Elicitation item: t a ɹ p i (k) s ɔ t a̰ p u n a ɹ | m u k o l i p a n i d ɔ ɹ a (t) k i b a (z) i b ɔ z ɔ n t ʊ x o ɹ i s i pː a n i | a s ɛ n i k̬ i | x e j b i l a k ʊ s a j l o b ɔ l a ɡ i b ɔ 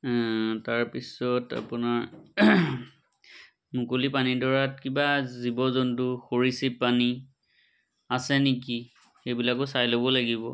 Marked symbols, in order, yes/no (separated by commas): no, yes, yes